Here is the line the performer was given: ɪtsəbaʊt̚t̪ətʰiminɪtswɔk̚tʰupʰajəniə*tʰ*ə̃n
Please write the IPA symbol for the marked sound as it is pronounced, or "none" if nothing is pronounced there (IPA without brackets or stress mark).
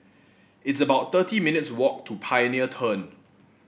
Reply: tʰ